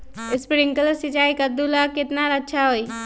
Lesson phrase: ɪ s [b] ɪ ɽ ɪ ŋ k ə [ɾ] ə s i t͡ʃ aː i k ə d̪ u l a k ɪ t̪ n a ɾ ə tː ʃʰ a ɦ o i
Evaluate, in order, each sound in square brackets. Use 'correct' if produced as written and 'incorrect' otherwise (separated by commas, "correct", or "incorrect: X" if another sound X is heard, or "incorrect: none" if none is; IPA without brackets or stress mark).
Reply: incorrect: p, incorrect: l